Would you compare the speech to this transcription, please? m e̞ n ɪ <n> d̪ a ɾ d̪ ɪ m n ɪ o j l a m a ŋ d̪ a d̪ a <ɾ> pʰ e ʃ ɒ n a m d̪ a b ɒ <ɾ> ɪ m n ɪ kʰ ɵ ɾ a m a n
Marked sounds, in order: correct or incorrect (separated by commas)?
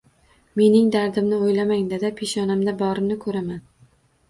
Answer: incorrect, incorrect, correct